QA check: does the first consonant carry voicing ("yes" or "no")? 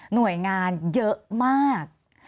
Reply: yes